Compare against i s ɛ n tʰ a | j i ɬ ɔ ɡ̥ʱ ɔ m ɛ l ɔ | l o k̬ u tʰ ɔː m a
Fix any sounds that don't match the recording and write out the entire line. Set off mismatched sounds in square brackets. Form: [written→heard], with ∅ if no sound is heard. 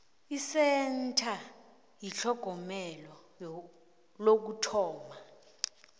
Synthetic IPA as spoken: i s ɛ n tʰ a | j i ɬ ɔ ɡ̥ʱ ɔ m ɛ l ɔ | l o k̬ u tʰ ɔː m a